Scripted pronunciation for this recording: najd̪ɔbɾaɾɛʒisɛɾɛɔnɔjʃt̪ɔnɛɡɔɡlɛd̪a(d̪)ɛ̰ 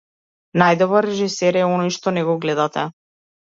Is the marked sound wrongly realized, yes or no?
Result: yes